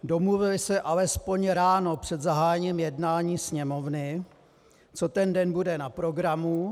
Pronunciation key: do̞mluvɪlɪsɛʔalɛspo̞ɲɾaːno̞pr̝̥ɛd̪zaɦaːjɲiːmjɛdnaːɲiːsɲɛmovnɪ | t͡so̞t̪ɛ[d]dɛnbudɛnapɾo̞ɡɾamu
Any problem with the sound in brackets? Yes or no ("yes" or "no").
yes